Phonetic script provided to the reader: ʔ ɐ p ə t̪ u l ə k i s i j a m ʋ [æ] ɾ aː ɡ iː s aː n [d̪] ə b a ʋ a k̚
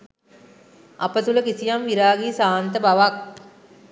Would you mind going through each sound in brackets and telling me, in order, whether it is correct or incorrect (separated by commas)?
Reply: incorrect, incorrect